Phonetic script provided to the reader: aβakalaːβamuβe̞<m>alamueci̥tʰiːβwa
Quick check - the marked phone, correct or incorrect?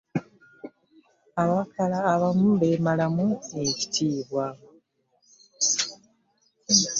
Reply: correct